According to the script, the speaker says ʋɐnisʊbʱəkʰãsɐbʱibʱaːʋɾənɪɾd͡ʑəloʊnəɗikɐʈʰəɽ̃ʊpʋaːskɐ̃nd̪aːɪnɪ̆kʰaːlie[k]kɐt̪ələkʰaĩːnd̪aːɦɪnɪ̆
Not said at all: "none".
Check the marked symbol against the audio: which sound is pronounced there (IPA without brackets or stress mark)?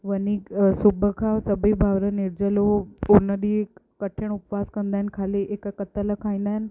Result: k